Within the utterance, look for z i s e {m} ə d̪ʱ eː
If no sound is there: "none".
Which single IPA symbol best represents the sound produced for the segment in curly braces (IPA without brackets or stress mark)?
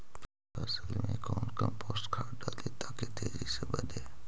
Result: b